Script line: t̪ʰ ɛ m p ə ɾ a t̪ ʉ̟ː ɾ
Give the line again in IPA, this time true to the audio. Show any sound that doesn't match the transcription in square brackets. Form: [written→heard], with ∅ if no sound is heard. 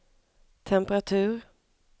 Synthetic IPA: t̪ʰ ɛ m p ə ɾ a [t̪→t̪ʰ] ʉ̟ː ɾ